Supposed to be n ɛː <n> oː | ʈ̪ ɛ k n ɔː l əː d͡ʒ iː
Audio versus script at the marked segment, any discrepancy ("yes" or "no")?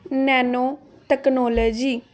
no